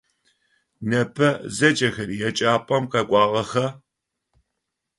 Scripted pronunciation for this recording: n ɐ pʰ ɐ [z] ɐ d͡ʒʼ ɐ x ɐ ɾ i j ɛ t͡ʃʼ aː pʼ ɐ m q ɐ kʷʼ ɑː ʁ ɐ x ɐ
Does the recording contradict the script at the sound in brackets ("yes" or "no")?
no